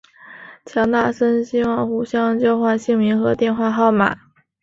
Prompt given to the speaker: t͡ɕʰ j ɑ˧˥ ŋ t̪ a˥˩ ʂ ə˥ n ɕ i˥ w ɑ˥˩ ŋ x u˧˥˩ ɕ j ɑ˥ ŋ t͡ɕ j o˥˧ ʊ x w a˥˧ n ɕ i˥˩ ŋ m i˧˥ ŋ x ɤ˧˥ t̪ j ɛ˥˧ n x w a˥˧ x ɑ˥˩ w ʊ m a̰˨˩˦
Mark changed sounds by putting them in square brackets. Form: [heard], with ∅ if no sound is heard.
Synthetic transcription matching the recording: t͡ɕʰ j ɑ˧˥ ŋ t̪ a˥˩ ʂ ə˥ n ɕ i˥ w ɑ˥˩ ŋ x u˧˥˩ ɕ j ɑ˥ ŋ t͡ɕ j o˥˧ ʊ x w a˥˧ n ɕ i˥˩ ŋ m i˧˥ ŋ x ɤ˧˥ t̪ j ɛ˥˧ n x w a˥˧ x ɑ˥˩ [∅] ʊ m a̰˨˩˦